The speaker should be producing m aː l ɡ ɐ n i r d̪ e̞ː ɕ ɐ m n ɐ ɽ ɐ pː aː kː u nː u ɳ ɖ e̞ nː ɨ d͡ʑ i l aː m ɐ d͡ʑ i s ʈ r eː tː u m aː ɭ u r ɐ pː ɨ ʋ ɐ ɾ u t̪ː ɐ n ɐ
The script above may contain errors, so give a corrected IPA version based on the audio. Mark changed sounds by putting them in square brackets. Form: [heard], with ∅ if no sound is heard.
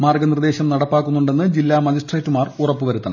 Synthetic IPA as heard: m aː [r] ɡ ɐ n i r d̪ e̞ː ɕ ɐ m n ɐ ɽ ɐ pː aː kː u nː u ɳ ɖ e̞ nː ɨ d͡ʑ i [lː] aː m ɐ d͡ʑ i s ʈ r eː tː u m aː [r] u r ɐ pː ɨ ʋ ɐ ɾ u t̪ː ɐ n ɐ